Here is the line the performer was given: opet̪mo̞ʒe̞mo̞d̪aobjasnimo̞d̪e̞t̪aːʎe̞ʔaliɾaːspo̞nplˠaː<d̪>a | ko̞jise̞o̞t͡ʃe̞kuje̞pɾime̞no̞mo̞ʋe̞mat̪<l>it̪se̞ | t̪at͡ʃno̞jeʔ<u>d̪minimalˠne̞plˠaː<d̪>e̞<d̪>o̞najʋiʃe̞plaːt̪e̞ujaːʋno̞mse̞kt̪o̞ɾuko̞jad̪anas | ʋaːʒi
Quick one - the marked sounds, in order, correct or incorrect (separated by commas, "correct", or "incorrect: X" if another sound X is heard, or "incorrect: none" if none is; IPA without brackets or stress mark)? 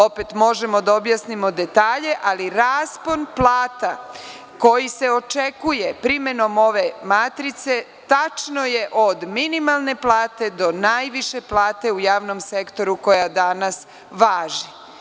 incorrect: t̪, incorrect: ɾ, incorrect: o, incorrect: t̪, correct